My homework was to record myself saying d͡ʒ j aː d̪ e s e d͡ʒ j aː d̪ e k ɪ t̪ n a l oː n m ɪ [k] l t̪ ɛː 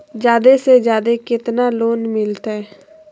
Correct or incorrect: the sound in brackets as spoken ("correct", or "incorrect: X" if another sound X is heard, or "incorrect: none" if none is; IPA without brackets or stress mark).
incorrect: none